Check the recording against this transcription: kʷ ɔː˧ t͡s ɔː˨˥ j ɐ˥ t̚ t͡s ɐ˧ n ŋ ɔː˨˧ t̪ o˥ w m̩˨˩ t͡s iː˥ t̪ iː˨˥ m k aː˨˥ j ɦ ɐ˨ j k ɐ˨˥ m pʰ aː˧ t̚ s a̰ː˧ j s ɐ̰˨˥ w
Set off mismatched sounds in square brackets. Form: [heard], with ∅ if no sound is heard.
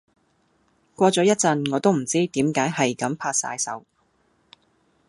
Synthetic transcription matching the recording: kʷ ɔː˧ t͡s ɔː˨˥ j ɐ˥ t̚ t͡s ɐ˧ n ŋ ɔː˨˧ t̪ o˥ w m̩˨˩ t͡s iː˥ t̪ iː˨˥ m k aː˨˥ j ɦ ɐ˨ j k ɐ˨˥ m pʰ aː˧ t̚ s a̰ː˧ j s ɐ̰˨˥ w